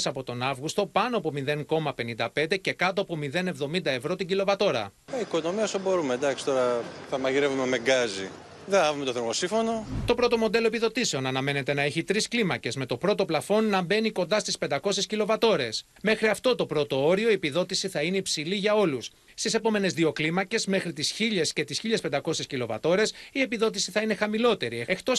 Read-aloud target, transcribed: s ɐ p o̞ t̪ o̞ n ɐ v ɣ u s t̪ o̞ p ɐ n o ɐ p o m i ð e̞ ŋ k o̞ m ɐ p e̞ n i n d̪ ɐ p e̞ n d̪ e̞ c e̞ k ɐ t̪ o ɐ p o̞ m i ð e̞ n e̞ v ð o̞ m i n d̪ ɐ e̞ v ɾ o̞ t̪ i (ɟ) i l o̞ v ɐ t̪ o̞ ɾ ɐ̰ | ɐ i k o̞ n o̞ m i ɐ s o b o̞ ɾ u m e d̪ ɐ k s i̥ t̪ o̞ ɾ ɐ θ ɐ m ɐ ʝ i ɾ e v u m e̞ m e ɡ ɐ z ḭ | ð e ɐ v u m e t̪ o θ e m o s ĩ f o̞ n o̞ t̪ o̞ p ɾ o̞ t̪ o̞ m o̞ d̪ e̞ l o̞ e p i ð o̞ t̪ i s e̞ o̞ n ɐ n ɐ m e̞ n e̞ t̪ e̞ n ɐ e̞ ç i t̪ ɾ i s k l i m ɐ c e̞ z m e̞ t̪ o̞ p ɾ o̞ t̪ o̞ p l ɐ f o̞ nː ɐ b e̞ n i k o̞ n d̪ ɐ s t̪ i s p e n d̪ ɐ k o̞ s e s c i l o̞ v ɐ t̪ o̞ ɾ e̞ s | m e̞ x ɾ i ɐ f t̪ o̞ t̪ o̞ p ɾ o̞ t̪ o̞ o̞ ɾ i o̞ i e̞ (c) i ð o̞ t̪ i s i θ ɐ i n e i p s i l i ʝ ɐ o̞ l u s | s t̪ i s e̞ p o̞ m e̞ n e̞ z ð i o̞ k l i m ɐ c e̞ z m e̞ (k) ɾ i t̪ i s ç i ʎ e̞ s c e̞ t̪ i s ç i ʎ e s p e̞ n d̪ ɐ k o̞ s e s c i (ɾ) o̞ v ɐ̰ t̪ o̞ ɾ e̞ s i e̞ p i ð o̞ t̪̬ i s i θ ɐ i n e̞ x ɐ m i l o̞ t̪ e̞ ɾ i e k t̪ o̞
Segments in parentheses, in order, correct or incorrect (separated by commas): correct, incorrect, incorrect, incorrect